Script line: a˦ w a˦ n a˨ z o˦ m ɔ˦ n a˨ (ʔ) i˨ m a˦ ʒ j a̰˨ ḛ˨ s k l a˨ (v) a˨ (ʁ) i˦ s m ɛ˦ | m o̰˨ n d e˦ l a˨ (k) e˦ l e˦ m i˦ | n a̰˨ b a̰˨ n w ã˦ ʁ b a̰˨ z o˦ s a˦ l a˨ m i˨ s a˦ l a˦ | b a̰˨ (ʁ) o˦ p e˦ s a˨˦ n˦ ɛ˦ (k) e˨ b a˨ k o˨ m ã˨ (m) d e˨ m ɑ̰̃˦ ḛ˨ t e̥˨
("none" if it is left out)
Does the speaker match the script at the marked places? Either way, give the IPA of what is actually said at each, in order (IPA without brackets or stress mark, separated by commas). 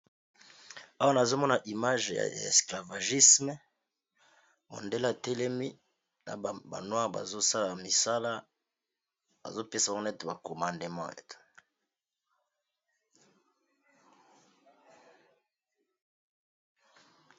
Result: ʔ, v, ʒ, t, z, t, n